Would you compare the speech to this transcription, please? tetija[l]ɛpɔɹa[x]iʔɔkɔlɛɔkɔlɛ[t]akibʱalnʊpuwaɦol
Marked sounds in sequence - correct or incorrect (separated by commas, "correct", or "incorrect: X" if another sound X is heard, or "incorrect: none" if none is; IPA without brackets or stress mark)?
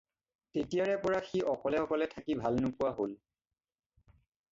incorrect: ɹ, correct, incorrect: tʰ